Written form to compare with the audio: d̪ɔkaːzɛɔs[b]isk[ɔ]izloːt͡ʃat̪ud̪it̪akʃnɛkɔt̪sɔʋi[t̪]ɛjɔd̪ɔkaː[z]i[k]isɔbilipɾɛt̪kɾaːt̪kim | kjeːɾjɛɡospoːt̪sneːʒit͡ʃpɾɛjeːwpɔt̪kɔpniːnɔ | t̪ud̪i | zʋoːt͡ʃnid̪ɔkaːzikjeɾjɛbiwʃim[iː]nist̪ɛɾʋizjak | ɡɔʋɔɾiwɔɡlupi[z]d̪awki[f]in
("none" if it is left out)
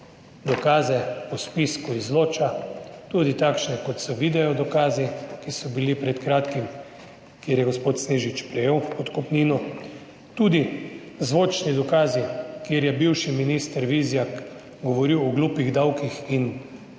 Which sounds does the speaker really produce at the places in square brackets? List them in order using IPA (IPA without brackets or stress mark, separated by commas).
p, u, d̪, z, k, i, ɣ, x